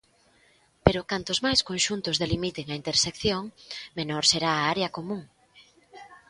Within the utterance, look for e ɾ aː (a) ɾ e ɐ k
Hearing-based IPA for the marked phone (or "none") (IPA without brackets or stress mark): a